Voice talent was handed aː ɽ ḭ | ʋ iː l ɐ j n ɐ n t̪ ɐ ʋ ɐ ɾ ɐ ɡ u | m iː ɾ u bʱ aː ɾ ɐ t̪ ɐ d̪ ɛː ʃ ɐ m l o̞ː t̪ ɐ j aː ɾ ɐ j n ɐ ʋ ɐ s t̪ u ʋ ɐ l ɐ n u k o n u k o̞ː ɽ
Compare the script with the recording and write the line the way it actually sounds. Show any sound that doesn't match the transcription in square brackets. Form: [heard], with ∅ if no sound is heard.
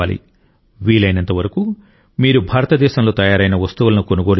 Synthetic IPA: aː [l] ḭ | ʋ iː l ɐ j n ɐ n t̪ ɐ ʋ ɐ ɾ ɐ [k] u | m iː ɾ u bʱ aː ɾ ɐ t̪ ɐ d̪ ɛː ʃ ɐ m l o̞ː t̪ ɐ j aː ɾ ɐ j n ɐ ʋ ɐ s t̪ u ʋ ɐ l ɐ n u k o n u [ɡ] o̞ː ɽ